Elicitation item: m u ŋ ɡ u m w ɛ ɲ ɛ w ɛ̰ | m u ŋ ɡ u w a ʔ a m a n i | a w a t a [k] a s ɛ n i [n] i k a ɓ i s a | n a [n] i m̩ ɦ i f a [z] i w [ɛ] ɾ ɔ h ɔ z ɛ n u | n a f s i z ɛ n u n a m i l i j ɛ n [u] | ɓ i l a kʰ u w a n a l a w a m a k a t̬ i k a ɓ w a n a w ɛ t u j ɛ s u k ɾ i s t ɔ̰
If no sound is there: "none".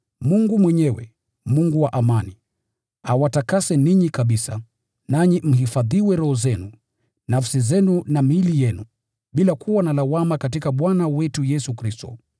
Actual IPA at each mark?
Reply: k, ɲ, ɲ, ð, ɛ, u

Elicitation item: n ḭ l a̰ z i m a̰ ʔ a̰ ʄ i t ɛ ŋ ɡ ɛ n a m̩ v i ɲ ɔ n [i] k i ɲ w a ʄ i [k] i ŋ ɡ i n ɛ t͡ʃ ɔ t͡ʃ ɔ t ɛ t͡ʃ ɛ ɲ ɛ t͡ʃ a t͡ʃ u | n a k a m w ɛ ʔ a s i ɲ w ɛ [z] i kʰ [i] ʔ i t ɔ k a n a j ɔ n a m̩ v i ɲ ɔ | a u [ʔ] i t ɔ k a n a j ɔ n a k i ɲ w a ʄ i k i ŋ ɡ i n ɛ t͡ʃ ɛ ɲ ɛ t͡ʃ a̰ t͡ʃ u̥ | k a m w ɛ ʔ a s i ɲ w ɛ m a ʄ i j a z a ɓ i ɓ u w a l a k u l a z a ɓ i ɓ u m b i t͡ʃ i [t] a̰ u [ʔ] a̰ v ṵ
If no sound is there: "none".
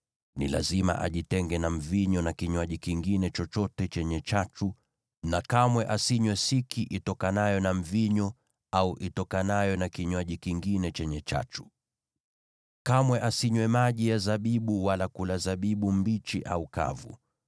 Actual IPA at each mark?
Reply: a, k, s, i, ʔ, ʔ, k

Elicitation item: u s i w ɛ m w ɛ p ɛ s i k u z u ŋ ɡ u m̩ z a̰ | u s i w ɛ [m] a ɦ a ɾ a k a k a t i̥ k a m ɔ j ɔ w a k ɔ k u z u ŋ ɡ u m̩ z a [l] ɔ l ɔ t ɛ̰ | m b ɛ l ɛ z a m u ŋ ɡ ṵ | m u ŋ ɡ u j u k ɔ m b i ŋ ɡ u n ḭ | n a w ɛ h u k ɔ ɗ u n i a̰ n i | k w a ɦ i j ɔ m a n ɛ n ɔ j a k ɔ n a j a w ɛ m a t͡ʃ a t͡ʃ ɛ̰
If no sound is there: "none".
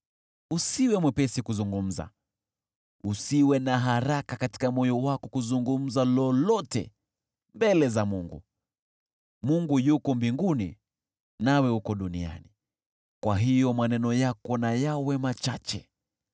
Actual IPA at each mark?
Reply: n, l

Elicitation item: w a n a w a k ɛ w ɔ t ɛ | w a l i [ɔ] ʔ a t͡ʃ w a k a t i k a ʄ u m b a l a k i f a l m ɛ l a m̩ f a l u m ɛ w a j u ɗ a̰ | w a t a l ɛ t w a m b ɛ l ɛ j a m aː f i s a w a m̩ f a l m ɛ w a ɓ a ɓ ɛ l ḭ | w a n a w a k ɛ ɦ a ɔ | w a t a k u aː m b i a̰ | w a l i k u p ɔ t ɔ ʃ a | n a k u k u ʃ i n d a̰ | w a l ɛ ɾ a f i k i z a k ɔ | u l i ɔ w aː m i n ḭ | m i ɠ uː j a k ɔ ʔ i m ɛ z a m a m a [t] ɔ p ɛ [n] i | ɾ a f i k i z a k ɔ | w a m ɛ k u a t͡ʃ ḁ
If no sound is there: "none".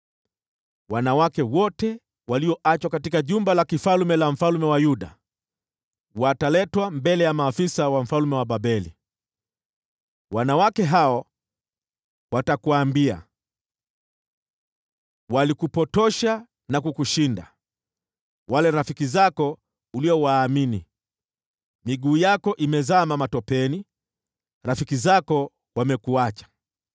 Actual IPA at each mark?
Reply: ɔ, t, n

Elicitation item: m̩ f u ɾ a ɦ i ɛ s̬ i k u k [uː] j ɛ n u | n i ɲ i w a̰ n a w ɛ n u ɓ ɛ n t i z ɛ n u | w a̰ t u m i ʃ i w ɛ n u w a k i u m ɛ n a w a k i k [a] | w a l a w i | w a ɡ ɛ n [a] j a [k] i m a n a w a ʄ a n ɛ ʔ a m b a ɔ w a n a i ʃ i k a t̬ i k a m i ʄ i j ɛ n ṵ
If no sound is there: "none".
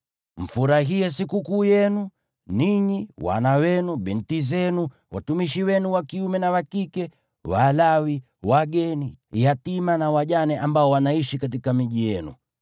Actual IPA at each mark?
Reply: uː, ɛ, i, t

